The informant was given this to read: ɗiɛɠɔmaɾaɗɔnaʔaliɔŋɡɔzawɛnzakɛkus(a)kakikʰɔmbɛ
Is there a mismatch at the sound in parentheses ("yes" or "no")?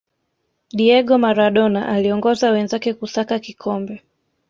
no